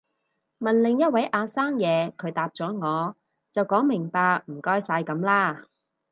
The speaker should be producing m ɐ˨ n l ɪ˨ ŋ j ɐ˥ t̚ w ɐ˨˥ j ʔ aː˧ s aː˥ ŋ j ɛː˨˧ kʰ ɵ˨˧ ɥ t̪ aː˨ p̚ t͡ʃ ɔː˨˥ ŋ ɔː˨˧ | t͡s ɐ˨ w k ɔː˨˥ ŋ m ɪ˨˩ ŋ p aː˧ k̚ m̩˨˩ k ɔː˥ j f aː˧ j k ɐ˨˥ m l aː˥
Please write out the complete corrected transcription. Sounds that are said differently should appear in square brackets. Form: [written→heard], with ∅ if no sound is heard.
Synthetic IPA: m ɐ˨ n l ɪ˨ ŋ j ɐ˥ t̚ w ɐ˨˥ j ʔ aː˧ s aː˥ ŋ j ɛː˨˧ kʰ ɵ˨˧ ɥ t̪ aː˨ p̚ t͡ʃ ɔː˨˥ ŋ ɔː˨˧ | t͡s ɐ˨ w k ɔː˨˥ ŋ m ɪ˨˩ ŋ p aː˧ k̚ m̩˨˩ k ɔː˥ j [f→s] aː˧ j k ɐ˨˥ m l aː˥